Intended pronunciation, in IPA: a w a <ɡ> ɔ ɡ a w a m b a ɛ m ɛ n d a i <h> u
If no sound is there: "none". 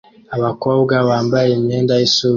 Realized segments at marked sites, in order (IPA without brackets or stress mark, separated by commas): k, s